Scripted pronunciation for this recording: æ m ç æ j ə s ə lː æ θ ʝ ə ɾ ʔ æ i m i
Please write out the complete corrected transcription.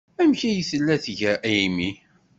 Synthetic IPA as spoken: æ m ç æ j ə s ə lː æ θ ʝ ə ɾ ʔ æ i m i